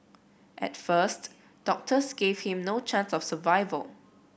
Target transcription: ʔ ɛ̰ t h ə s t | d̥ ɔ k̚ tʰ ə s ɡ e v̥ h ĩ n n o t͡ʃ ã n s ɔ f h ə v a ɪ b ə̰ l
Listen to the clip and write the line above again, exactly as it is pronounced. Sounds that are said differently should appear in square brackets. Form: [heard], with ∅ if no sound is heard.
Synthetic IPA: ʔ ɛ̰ t [f] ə s t | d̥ ɔ k̚ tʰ ə s ɡ e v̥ h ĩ [m] n o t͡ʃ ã n s ɔ f [s] ə v a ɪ [v] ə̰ l